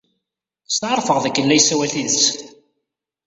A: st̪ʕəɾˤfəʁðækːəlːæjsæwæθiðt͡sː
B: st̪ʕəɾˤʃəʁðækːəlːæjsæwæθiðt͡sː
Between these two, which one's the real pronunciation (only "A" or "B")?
A